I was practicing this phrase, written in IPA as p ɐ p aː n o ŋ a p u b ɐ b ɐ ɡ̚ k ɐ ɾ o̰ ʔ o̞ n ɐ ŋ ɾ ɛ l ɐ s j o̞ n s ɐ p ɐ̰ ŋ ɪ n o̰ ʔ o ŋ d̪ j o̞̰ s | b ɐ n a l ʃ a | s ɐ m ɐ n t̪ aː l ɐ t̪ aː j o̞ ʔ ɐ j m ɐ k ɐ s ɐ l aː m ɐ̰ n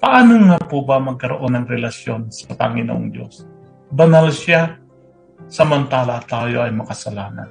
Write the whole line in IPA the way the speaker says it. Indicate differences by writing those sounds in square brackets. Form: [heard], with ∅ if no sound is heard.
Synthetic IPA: p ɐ [ʔ] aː n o ŋ a p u b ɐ [m] ɐ ɡ̚ k ɐ ɾ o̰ ʔ o̞ n ɐ ŋ ɾ ɛ l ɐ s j o̞ n s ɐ p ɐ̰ ŋ ɪ n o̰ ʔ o ŋ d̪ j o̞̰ s | b ɐ n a l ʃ a | s ɐ m ɐ n t̪ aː l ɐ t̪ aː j o̞ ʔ ɐ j m ɐ k ɐ s ɐ l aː [n] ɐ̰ n